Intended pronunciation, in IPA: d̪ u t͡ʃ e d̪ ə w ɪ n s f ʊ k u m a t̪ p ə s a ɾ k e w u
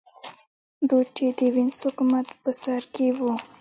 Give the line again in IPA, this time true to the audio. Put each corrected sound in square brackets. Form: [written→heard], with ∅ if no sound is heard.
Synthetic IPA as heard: d̪ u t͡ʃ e d̪ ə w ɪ n s [f→h] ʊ k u m a t̪ p ə s a ɾ k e w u

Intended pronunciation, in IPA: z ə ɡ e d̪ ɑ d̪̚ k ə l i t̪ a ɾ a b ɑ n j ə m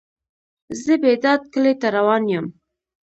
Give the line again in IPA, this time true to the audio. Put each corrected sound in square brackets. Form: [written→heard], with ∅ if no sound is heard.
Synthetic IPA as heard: z ə [ɡ→b] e d̪ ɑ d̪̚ k ə l [i→e] t̪ a ɾ a [b→w] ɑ n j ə m

